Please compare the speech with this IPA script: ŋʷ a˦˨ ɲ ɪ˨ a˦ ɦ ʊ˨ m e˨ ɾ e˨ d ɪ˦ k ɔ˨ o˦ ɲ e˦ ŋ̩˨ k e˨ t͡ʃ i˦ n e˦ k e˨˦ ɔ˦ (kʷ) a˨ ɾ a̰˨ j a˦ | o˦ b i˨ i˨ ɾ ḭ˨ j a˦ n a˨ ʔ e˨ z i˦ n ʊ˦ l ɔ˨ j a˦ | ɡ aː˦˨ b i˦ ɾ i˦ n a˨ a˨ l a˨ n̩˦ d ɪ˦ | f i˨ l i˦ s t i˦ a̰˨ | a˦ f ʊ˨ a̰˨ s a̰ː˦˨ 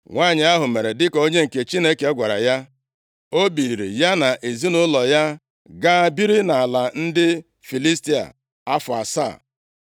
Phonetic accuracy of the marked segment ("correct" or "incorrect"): incorrect